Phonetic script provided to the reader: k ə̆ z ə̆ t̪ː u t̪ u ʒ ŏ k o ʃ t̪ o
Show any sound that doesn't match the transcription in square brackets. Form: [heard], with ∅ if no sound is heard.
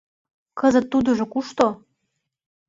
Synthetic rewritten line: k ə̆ z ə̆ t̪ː u [d̪] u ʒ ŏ k [u] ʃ t̪ o